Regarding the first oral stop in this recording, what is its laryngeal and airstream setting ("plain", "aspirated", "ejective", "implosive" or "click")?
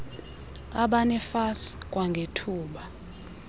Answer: implosive